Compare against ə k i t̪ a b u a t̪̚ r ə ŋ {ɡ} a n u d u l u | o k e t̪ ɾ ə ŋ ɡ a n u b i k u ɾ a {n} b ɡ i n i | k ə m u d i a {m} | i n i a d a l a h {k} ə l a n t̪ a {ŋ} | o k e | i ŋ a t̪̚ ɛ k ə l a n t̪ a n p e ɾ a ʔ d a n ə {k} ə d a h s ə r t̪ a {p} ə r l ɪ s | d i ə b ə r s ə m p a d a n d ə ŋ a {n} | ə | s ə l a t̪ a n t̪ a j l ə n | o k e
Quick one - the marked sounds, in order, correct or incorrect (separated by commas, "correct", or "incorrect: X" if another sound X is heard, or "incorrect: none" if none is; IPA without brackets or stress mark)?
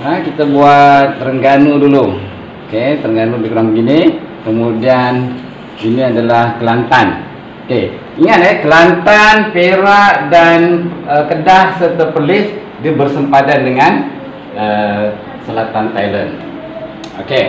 correct, incorrect: ŋ, incorrect: n, correct, incorrect: n, correct, correct, correct